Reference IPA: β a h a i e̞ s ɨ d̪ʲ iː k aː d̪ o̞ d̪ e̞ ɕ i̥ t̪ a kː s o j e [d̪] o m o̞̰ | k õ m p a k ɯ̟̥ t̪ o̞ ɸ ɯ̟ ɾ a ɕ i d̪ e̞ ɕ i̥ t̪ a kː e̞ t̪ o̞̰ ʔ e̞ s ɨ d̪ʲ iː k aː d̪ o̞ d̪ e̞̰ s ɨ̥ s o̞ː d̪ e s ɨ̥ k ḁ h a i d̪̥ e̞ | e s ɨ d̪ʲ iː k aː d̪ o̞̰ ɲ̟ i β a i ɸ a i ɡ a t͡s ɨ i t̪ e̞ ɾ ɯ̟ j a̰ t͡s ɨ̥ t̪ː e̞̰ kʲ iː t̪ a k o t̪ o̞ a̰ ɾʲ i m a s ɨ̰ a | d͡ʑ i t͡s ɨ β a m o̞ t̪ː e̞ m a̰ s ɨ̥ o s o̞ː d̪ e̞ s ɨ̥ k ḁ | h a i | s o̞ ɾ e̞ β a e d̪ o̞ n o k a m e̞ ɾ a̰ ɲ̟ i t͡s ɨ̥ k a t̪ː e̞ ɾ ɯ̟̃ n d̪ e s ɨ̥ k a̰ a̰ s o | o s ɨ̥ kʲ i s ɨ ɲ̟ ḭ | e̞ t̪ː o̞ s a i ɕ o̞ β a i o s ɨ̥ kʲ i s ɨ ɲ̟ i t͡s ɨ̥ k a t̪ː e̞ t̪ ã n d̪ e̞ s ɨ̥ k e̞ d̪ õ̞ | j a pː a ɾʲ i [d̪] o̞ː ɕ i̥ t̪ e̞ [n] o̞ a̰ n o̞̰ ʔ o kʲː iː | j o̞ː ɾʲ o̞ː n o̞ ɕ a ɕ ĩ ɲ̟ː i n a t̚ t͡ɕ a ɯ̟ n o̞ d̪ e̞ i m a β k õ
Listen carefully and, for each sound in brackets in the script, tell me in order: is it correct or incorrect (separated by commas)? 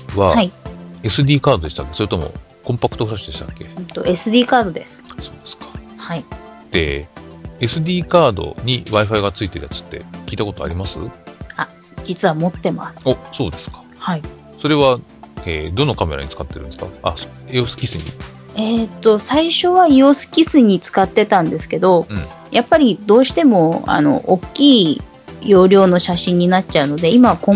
incorrect, correct, incorrect